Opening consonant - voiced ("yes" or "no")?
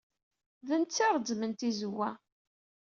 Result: yes